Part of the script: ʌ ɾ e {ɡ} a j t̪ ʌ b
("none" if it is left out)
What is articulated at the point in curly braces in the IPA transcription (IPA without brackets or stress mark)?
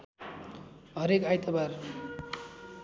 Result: k